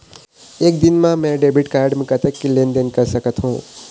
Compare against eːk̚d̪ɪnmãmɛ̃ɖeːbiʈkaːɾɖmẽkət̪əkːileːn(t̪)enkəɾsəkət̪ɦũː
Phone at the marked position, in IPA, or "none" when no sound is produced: d̪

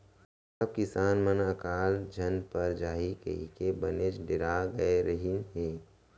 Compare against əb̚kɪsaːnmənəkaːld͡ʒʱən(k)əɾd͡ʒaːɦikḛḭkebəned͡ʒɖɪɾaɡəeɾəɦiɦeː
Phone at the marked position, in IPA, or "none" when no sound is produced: p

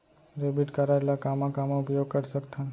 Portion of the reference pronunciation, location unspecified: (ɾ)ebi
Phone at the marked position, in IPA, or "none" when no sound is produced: ɾ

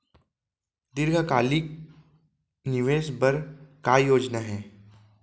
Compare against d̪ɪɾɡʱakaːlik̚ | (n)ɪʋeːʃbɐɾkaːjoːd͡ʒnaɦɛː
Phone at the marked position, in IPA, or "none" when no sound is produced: n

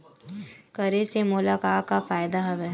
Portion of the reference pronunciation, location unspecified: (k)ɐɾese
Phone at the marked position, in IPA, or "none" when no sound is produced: k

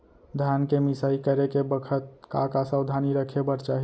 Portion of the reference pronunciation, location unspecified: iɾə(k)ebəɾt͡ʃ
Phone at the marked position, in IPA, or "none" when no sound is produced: kʰ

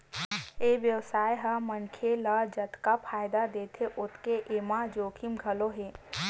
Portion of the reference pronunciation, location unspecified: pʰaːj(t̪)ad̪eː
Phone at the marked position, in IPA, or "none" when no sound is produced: d̪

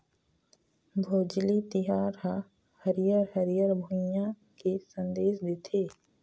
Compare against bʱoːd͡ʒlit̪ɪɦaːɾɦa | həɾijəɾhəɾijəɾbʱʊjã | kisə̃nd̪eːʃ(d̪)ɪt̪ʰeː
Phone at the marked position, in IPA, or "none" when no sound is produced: d̪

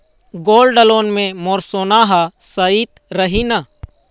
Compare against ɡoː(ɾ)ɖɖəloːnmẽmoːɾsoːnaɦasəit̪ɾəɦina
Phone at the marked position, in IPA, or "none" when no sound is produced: l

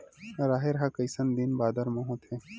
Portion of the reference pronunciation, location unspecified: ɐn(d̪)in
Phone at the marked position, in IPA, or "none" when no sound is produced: d̪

